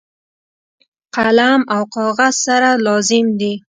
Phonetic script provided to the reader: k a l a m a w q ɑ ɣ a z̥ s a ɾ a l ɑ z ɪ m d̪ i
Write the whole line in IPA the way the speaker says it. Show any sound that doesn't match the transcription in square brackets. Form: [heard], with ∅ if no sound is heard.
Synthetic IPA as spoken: [q] a l a m a w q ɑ ɣ a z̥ s a ɾ a l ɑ z ɪ m d̪ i